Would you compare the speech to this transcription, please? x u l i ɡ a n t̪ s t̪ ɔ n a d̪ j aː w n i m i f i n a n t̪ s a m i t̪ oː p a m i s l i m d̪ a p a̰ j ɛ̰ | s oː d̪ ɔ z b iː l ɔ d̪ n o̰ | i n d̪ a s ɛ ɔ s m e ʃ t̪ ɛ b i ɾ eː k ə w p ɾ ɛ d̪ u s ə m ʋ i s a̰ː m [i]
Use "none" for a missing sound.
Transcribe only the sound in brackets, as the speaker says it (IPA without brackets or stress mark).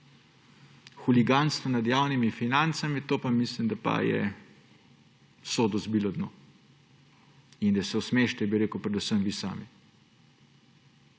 i